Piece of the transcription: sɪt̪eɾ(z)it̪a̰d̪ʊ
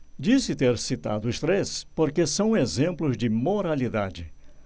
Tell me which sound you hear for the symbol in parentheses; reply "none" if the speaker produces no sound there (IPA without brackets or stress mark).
s